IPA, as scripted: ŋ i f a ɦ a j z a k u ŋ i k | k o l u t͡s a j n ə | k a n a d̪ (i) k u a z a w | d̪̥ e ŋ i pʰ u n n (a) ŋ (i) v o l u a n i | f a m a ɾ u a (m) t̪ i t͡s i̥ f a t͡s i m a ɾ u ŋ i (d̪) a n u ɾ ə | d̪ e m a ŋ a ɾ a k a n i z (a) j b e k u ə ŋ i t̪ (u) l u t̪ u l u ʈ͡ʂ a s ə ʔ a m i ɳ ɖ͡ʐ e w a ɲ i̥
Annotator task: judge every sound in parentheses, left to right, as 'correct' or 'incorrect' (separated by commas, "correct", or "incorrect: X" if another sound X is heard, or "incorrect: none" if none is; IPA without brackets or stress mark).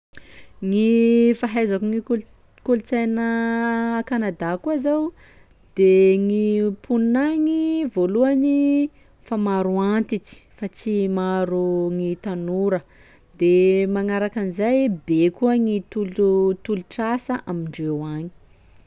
incorrect: a, correct, correct, incorrect: n, incorrect: t̪, correct, correct